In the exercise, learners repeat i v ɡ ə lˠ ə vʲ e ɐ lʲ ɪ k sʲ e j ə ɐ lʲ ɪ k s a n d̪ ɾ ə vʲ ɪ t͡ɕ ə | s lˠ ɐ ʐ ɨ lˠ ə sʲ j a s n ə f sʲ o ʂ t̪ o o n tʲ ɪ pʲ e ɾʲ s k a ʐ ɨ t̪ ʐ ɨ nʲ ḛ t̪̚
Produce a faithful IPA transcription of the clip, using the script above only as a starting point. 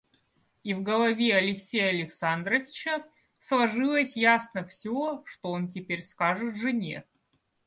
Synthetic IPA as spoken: i v ɡ ə lˠ ɐ vʲ e ɐ lʲ ɪ k sʲ e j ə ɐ lʲ ɪ k s a n d̪ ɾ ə vʲ ɪ t͡ɕ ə | s lˠ ɐ ʐ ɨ lˠ ə sʲ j a s n ə f sʲ o ʂ t̪ o o n tʲ ɪ pʲ e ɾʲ s k a ʐ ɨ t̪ ʐ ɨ nʲ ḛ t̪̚

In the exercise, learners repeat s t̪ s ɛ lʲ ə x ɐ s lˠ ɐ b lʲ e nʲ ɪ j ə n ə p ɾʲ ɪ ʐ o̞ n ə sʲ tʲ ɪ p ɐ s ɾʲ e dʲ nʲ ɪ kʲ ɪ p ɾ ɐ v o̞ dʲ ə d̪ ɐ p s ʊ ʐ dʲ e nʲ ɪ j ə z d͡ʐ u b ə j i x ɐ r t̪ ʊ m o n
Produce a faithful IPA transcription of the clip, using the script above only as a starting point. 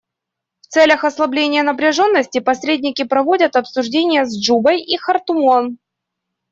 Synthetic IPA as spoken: f t̪ s ɛ lʲ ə x ɐ s lˠ ɐ b lʲ e nʲ ɪ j ə n ə p ɾʲ ɪ ʐ o̞ nː ə sʲ tʲ ɪ p ɐ s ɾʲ e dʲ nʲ ɪ kʲ ɪ p ɾ ɐ v o̞ dʲ ə t̪ ɐ p s ʊ ʐ dʲ e nʲ ɪ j ə z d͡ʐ u b ə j i x ɐ r t̪ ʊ m o n

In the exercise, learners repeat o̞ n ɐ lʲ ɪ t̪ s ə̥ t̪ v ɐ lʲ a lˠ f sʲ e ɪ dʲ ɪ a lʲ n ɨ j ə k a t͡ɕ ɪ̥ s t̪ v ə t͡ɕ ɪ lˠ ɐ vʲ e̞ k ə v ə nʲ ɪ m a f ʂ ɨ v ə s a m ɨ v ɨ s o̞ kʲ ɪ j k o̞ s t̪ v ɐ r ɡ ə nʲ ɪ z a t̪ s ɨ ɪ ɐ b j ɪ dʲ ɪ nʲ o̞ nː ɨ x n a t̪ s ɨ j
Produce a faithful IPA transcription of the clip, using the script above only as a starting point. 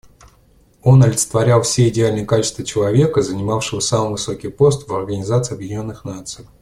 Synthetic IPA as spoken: o̞ n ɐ lʲ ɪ t̪ s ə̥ t̪ v ɐ ɾʲ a lˠ f sʲ e ɪ dʲ ɪ a lʲ n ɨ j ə k a t͡ɕ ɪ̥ s t̪ v ə t͡ɕ ɪ lˠ ɐ vʲ e̞ k ə z ə nʲ ɪ m a f ʂ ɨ v ə s a m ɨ v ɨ s o̞ kʲ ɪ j p o̞ s t̪ v ɐ r ɡ ə nʲ ɪ z a t̪ s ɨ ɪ ɐ b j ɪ dʲ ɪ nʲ o̞ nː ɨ x n a t̪ s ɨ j

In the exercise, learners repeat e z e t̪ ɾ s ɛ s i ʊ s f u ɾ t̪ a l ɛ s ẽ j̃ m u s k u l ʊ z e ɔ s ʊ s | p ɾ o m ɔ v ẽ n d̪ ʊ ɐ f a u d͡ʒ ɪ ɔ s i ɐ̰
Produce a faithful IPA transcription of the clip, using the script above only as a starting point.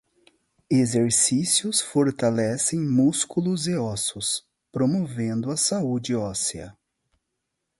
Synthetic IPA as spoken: e z e ɾ s i s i ʊ s f o ɾ t̪ a l ɛ s ẽ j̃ m u s k u l ʊ z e ɔ s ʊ s | p ɾ o m o v ẽ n d̪ ʊ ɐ s a u d͡ʒ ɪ ɔ s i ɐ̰

